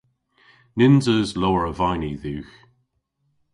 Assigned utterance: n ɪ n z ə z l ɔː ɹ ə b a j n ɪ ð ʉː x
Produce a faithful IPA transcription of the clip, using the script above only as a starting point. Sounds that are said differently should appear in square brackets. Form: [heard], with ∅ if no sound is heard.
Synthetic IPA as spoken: n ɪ n z ə z l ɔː ɹ ə [v] a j n [i] ð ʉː x